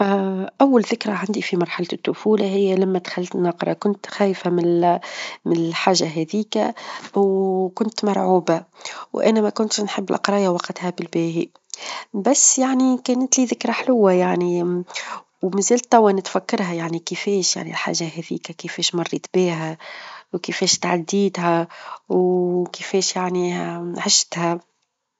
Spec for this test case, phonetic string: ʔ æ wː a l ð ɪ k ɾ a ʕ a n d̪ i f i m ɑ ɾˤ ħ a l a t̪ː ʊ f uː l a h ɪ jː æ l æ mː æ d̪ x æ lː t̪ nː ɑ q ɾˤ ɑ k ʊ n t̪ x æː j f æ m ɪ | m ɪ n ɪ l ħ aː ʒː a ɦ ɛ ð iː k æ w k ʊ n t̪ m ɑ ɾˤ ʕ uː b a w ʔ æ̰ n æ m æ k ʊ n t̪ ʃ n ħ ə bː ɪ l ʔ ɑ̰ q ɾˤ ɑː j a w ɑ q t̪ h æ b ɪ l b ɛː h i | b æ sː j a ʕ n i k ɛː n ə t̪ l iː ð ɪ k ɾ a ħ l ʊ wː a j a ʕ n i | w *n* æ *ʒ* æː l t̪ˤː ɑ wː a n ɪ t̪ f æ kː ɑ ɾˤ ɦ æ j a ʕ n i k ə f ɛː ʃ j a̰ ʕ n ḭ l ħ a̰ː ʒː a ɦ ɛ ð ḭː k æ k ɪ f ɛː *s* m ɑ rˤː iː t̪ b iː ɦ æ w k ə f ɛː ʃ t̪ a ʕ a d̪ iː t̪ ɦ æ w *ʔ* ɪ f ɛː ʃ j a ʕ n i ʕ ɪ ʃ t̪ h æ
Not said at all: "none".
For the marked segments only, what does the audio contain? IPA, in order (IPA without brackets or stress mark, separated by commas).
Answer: m, z, ʃ, k